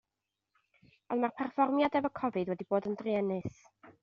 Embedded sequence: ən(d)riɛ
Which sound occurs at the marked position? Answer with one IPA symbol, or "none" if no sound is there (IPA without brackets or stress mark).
d